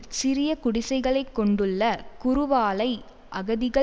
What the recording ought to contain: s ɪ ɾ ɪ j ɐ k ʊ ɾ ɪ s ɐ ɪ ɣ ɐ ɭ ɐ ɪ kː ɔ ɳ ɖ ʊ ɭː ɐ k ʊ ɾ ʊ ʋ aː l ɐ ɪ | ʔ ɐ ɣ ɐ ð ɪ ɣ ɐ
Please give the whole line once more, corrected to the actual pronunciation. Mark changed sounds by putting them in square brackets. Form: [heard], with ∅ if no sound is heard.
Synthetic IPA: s ɪ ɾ ɪ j ɐ k ʊ [ɽ] ɪ s ɐ ɪ ɣ ɐ ɭ ɐ ɪ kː ɔ ɳ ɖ [ɯ] ɭː ɐ k ʊ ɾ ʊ ʋ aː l ɐ ɪ | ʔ ɐ ɣ ɐ ð ɪ ɣ ɐ